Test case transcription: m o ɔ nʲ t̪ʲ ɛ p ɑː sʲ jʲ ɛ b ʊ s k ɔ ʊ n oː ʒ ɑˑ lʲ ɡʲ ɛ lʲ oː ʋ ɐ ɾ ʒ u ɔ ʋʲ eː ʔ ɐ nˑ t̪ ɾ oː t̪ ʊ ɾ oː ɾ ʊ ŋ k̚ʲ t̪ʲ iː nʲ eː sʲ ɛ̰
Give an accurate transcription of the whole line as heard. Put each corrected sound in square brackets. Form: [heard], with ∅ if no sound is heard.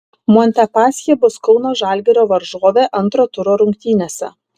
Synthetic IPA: m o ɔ nʲ t̪ʲ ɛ p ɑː sʲ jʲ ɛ b ʊ s k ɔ ʊ n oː ʒ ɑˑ lʲ ɡʲ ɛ [ɾʲ] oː ʋ ɐ ɾ ʒ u ɔ ʋʲ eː ʔ ɐ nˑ t̪ ɾ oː t̪ ʊ ɾ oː ɾ ʊ ŋ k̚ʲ t̪ʲ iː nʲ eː sʲ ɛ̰

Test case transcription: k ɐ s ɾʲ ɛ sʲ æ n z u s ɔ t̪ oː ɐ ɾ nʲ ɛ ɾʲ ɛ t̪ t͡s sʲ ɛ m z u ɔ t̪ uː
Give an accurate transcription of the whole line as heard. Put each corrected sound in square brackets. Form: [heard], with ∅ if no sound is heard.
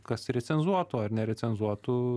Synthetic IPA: k ɐ s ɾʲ ɛ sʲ [ɛ] n z u [∅] ɔ t̪ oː ɐ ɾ nʲ ɛ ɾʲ ɛ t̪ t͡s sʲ ɛ [n] z u ɔ t̪ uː

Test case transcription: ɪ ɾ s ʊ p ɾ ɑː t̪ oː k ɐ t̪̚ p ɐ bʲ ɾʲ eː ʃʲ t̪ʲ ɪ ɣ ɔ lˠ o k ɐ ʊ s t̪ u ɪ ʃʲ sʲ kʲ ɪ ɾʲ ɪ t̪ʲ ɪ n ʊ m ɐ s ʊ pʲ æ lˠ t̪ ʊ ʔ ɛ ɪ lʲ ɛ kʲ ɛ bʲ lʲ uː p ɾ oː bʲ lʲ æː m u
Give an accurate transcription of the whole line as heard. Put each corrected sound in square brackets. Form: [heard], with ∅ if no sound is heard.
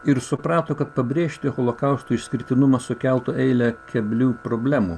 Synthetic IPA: ɪ ɾ s ʊ p ɾ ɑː t̪ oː k ɐ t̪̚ p ɐ bʲ ɾʲ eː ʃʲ t̪ʲ ɪ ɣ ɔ lˠ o k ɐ ʊ s t̪ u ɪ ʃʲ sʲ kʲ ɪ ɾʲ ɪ t̪ʲ ɪ n ʊ m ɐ s ʊ [kʲ] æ lˠ t̪ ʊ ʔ ɛ ɪ lʲ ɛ kʲ ɛ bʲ lʲ uː p ɾ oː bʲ lʲ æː m u

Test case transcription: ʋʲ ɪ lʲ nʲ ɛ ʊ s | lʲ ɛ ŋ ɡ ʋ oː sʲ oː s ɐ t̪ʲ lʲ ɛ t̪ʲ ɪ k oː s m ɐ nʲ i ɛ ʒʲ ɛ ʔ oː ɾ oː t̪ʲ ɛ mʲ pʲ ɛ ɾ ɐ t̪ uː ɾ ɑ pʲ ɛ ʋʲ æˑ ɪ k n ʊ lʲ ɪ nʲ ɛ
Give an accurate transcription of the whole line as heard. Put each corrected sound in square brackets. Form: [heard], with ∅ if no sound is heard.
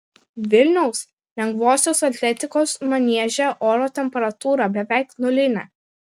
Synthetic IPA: ʋʲ ɪ lʲ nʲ ɛ ʊ s | lʲ ɛ ŋ ɡ ʋ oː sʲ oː s ɐ t̪ʲ lʲ ɛ t̪ʲ ɪ k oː s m ɐ nʲ i ɛ ʒʲ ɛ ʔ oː ɾ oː t̪ʲ ɛ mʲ pʲ ɛ ɾ ɐ t̪ uː ɾ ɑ [bʲ] ɛ ʋʲ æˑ ɪ k n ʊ lʲ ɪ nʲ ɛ

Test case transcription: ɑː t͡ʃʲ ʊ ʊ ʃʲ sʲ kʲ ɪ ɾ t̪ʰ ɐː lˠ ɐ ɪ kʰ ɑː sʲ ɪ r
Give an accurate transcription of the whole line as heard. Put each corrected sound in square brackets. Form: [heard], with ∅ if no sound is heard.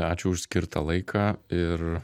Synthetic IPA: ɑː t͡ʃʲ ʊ ʊ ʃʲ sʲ kʲ ɪ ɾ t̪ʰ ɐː lˠ ɐ ɪ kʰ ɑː [∅] ɪ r

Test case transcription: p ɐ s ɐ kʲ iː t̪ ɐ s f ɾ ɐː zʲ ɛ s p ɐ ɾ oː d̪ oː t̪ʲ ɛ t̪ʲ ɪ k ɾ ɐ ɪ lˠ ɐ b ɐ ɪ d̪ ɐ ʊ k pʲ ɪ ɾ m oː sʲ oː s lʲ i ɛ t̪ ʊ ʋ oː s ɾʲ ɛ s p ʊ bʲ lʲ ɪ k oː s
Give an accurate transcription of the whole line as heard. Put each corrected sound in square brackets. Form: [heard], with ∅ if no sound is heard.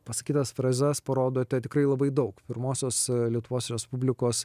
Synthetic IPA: p ɐ s ɐ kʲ iː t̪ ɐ s f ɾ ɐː zʲ ɛ s p ɐ ɾ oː d̪ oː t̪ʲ ɛ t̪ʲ ɪ k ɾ ɐ ɪ lˠ ɐ b ɐ ɪ d̪ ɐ ʊ k pʲ ɪ ɾ m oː sʲ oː s lʲ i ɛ t̪ ʊ ʋ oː s ɾʲ ɛ s p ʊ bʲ lʲ ɪ k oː s

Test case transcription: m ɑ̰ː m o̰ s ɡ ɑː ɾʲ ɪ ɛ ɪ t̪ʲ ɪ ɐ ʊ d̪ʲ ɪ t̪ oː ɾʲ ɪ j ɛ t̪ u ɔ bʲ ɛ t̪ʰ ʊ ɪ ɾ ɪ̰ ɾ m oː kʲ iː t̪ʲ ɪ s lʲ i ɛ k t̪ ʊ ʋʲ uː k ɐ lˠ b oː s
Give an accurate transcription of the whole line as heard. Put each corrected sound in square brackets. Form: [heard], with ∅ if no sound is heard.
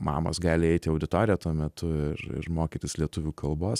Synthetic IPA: m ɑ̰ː m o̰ s ɡ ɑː [lʲ] ɪ ɛ ɪ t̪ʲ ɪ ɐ ʊ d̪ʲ ɪ t̪ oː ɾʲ ɪ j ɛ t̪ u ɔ [mʲ] ɛ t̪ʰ ʊ ɪ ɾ ɪ̰ ɾ m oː kʲ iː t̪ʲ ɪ s lʲ i ɛ [∅] t̪ ʊ ʋʲ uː k ɐ lˠ b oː s

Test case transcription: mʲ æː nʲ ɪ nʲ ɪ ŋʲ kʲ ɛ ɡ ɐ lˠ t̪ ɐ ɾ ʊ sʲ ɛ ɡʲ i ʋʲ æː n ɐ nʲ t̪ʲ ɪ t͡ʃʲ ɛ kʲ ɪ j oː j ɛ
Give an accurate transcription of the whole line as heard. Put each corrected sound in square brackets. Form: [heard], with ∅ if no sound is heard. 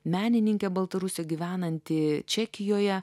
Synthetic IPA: mʲ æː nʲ ɪ nʲ ɪ ŋʲ kʲ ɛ [b] ɐ lˠ t̪ ɐ ɾ ʊ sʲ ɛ ɡʲ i ʋʲ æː n ɐ nʲ t̪ʲ ɪ t͡ʃʲ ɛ kʲ ɪ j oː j ɛ

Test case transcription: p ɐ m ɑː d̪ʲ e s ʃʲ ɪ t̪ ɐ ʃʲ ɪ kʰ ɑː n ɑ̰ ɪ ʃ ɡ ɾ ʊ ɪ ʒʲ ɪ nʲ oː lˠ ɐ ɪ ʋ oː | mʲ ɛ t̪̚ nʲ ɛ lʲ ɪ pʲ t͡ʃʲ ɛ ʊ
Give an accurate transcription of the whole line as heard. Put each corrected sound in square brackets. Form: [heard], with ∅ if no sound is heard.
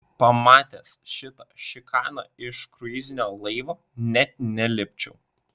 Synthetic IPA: p ɐ m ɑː [t̪ʲ] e s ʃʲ ɪ t̪ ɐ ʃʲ ɪ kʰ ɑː n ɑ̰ ɪ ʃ [k] ɾ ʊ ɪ [zʲ] ɪ nʲ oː lˠ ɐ ɪ ʋ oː | [nʲ] ɛ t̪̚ nʲ ɛ lʲ ɪ pʲ t͡ʃʲ ɛ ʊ

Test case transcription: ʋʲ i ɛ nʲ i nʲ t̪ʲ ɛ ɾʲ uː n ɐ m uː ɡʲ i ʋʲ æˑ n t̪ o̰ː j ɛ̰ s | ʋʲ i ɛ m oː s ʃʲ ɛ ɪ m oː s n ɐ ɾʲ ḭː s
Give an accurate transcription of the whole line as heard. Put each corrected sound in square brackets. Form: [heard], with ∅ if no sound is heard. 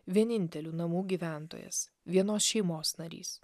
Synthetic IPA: ʋʲ i ɛ nʲ [ɪ] nʲ t̪ʲ ɛ [lʲ] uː n ɐ m uː ɡʲ i ʋʲ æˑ n t̪ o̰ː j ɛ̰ s | ʋʲ i ɛ [n] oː s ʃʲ ɛ ɪ m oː s n ɐ ɾʲ ḭː s

